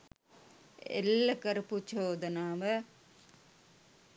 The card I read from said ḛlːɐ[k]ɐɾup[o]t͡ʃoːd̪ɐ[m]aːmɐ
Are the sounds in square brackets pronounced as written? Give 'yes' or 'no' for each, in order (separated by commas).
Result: yes, no, no